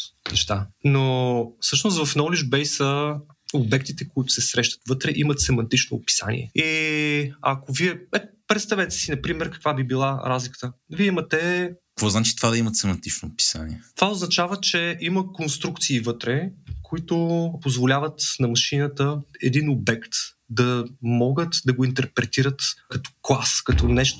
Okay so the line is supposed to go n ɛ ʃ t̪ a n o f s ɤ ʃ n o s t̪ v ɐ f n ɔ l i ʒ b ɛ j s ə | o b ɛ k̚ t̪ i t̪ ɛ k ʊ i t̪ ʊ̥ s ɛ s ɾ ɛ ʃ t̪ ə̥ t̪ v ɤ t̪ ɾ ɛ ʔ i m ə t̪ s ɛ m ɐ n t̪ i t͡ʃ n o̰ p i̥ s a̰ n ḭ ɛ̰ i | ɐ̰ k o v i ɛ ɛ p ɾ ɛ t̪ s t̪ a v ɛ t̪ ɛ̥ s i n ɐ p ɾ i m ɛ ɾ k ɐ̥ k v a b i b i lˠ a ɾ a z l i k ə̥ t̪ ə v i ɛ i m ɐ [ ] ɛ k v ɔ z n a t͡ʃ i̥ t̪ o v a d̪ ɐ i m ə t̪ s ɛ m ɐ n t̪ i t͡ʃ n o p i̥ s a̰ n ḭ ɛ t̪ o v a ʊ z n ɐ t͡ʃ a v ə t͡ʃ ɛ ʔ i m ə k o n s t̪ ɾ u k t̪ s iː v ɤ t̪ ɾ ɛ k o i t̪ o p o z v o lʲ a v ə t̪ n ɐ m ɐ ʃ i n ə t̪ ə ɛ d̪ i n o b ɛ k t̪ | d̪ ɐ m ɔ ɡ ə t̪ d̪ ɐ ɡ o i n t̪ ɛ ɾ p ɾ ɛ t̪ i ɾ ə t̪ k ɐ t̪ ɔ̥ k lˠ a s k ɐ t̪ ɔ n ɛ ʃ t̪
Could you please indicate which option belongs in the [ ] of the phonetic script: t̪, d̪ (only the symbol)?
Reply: t̪